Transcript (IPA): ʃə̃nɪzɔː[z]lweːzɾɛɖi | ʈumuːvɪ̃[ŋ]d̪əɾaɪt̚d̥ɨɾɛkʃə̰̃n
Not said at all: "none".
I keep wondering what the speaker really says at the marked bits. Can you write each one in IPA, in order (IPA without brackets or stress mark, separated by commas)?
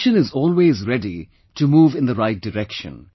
none, n